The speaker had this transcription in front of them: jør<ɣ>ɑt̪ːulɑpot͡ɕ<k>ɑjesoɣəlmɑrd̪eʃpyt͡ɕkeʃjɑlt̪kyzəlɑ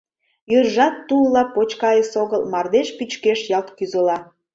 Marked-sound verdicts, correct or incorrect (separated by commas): incorrect, correct